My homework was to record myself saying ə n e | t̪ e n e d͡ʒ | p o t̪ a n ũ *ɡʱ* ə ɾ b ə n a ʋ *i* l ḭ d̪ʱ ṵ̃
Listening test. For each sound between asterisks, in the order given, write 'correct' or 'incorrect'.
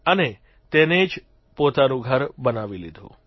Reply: correct, correct

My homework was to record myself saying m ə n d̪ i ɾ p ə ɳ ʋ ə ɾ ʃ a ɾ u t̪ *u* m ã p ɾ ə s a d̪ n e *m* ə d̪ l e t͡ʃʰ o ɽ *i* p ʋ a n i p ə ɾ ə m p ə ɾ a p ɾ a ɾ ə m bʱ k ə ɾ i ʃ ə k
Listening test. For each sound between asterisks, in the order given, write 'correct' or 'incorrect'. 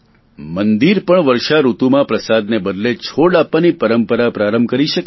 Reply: correct, incorrect, incorrect

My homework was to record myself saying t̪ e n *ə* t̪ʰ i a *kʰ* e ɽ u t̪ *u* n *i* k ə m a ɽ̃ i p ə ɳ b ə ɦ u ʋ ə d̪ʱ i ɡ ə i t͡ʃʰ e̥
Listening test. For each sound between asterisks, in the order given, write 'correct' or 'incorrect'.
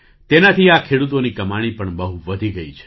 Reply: incorrect, correct, incorrect, correct

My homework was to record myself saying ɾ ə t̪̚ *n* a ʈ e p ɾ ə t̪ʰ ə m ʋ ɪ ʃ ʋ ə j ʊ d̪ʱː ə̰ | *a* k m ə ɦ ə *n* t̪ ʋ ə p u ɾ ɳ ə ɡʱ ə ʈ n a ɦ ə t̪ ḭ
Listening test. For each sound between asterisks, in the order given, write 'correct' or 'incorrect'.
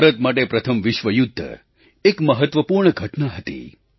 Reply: incorrect, incorrect, incorrect

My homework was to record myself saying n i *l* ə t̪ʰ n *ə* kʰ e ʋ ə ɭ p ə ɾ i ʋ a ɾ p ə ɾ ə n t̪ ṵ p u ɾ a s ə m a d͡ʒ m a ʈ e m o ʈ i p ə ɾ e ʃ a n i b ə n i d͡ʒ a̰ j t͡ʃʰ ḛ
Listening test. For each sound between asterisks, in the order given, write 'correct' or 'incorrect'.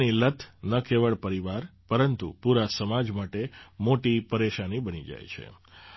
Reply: correct, correct

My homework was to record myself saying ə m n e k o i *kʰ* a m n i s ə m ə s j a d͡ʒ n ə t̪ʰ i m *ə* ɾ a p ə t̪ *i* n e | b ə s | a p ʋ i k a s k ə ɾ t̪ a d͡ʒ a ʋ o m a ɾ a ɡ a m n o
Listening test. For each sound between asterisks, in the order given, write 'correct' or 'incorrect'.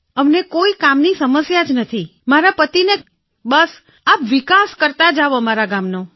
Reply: incorrect, incorrect, correct

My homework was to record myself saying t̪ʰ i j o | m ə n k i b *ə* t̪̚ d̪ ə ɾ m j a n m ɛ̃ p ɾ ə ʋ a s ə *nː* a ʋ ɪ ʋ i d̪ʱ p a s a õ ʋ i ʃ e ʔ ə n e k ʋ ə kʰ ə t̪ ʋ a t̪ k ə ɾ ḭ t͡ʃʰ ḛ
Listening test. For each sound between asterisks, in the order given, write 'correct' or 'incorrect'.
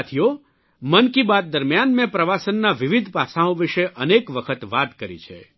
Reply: incorrect, correct

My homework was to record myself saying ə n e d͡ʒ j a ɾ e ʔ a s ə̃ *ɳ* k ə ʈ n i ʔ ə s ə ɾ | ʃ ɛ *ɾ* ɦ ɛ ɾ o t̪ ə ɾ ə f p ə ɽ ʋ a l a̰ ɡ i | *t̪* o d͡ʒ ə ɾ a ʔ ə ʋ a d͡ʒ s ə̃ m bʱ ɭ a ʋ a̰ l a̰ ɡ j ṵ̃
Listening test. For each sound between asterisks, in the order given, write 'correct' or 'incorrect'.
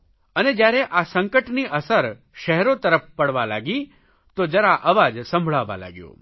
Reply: incorrect, incorrect, correct

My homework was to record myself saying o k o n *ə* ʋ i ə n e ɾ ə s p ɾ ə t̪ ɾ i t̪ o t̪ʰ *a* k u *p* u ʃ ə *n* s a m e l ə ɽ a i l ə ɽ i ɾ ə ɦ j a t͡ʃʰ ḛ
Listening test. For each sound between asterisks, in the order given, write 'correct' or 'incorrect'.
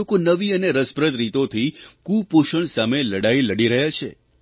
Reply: correct, incorrect, correct, incorrect

